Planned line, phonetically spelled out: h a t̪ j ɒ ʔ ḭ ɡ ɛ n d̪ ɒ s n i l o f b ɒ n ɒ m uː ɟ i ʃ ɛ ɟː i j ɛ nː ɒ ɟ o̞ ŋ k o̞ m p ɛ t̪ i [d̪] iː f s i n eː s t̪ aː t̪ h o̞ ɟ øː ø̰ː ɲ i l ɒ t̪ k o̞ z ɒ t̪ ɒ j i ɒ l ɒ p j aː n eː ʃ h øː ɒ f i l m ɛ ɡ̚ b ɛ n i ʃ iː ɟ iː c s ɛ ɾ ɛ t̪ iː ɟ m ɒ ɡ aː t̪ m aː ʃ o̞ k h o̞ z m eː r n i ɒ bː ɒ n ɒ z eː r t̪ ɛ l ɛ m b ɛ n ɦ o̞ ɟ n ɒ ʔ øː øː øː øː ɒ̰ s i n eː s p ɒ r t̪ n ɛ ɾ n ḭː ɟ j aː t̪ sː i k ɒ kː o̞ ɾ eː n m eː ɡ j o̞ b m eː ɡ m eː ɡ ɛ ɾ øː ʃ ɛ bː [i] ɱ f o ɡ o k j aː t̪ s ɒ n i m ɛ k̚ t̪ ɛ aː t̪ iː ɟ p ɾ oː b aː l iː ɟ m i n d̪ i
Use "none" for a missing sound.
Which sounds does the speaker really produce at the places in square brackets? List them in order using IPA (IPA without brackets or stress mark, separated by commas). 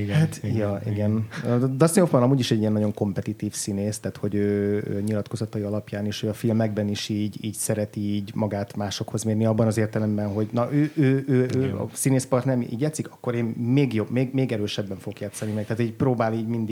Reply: t̪, ɛ